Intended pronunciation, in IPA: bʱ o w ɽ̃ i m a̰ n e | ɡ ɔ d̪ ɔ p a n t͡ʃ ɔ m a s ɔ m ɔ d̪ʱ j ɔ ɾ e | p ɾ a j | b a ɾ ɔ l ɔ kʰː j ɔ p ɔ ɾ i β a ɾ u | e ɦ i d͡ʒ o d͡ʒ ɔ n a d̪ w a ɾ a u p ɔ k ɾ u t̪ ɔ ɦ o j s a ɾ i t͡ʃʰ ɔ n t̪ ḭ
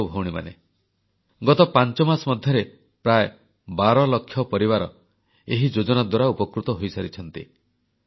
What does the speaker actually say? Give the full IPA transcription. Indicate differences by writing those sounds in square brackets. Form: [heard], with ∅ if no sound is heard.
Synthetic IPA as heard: bʱ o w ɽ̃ i m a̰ n e | ɡ ɔ [t̪] ɔ p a n t͡ʃ ɔ m a s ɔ m ɔ d̪ʱ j ɔ ɾ e | p ɾ a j | b a ɾ ɔ l ɔ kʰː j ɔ p ɔ ɾ i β a ɾ [ɔ] | e ɦ i d͡ʒ o d͡ʒ ɔ n a d̪ w a ɾ a u p ɔ k ɾ u t̪ ɔ ɦ o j s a ɾ i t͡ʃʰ ɔ n t̪ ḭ